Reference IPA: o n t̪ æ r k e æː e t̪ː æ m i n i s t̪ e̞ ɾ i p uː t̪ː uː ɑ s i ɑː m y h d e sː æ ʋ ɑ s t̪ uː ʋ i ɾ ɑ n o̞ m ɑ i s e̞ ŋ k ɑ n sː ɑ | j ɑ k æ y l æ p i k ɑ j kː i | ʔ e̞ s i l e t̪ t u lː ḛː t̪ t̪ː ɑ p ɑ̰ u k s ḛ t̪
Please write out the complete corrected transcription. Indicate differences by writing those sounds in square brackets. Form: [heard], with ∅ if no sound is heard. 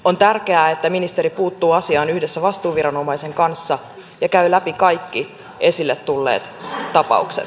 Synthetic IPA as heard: o n t̪ æ r k e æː e t̪ː æ m i n i s t̪ e̞ ɾ i p uː t̪ː uː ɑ s i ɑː [n] y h d e sː æ ʋ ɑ s t̪ uː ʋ i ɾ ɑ n o̞ m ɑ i s e̞ ŋ k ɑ n sː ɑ | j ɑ k æ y l æ p i k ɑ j kː i | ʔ e̞ s i [lː] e t̪ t u lː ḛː t̪ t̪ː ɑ p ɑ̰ u k s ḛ t̪